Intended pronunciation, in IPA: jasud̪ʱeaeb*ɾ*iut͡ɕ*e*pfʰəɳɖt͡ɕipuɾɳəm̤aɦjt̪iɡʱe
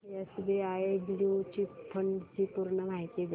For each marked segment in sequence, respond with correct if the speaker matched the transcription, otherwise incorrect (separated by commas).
incorrect, incorrect